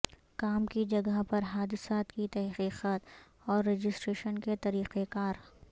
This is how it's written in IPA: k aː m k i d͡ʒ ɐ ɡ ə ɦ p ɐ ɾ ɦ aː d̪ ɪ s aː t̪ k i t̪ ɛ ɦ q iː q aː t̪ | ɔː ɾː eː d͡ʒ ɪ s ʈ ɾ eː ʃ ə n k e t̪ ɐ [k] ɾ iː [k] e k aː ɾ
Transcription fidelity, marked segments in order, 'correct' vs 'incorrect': incorrect, incorrect

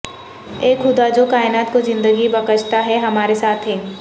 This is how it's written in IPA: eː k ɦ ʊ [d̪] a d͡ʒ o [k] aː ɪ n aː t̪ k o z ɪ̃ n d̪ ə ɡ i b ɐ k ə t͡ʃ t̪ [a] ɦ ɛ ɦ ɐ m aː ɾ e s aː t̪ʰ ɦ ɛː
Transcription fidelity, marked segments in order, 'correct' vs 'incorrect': correct, correct, correct

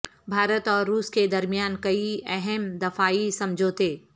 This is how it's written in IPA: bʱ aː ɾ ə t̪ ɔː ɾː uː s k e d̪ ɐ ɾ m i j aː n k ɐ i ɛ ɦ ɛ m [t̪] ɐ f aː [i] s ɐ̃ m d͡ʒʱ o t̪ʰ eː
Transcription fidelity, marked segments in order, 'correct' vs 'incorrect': incorrect, correct

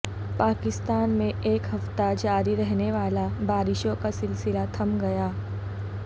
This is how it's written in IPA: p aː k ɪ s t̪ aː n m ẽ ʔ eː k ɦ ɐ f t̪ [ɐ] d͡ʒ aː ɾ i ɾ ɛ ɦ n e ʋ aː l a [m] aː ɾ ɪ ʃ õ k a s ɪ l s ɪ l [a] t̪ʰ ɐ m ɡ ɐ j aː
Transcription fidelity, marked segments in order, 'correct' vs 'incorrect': incorrect, incorrect, correct

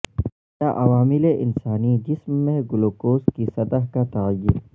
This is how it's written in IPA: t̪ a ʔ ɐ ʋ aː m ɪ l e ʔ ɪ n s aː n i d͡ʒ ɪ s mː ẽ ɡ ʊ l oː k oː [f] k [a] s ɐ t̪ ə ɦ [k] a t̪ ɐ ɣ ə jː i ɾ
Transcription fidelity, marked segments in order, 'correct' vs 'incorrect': incorrect, incorrect, correct

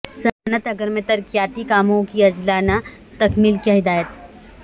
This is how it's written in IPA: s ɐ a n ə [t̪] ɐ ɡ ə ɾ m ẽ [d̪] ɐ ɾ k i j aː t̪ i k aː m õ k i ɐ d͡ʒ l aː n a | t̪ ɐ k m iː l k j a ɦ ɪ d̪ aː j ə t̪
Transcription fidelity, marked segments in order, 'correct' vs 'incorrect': correct, incorrect

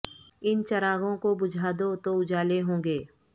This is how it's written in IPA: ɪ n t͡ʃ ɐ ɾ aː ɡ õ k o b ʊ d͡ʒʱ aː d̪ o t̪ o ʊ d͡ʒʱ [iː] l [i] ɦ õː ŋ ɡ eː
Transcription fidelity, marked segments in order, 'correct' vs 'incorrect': incorrect, incorrect

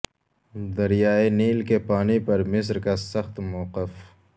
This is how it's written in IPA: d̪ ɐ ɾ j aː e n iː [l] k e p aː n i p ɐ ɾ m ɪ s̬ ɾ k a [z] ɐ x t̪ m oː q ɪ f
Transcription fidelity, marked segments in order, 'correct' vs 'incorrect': correct, incorrect

